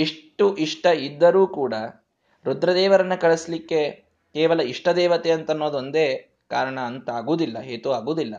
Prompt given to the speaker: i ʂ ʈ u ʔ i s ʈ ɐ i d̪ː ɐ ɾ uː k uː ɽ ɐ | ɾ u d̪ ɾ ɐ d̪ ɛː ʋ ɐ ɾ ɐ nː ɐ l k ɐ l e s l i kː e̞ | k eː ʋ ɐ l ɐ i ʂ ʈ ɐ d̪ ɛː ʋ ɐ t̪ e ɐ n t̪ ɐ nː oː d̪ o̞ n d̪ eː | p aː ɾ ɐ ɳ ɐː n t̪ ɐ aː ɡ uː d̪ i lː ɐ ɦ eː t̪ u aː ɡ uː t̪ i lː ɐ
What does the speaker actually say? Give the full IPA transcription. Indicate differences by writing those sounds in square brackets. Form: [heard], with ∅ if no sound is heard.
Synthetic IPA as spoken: i ʂ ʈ u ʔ i [ʂ] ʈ ɐ i d̪ː ɐ ɾ uː k uː ɽ ɐ | ɾ u d̪ ɾ ɐ d̪ ɛː ʋ ɐ ɾ ɐ nː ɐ [∅] k ɐ [ɭ] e s l i kː e̞ | k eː ʋ ɐ l ɐ i ʂ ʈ ɐ d̪ ɛː ʋ ɐ t̪ e ɐ n t̪ ɐ nː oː d̪ o̞ n d̪ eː | [k] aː ɾ ɐ ɳ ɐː n t̪ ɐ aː ɡ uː d̪ i lː ɐ ɦ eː t̪ u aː ɡ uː [d̪] i lː ɐ